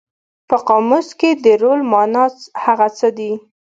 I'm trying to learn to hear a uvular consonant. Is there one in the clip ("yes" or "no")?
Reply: yes